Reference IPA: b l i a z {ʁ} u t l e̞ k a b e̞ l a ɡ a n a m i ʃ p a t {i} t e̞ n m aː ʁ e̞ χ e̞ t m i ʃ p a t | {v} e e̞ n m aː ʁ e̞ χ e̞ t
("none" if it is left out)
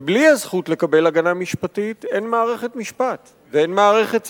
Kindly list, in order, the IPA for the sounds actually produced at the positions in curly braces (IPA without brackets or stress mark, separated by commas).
χ, i, v